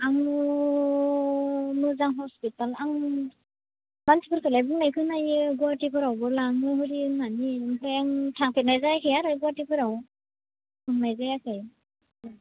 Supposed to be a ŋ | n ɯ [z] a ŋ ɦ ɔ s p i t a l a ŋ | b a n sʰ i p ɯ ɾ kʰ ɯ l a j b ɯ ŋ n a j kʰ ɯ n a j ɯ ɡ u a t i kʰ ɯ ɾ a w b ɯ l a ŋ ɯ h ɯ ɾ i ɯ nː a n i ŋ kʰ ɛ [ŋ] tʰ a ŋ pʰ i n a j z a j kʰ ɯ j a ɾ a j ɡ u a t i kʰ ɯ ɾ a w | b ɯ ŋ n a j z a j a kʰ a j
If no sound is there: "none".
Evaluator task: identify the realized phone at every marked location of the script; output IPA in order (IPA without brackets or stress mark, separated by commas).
z, ŋ